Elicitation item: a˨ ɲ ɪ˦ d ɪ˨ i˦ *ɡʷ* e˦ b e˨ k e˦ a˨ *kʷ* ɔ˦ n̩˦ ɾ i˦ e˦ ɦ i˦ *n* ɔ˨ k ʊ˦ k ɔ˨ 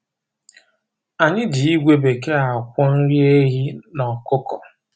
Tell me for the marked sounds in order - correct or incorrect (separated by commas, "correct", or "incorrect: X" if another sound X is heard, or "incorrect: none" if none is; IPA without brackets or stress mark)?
correct, correct, correct